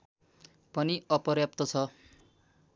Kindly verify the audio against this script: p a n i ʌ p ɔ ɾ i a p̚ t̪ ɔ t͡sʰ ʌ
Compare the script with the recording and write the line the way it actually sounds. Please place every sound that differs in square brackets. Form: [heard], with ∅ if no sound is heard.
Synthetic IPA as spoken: p [ʌ] n i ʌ p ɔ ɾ [j] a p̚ t̪ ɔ t͡sʰ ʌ